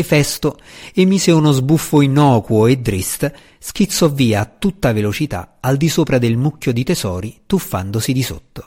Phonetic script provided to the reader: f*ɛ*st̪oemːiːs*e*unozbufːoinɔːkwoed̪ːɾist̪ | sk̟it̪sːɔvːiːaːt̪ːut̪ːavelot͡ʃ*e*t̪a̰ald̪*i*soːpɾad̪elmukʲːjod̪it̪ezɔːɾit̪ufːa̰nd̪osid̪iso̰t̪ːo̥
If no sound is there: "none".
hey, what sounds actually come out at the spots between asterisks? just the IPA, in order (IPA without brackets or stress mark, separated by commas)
ɛ, e, i, i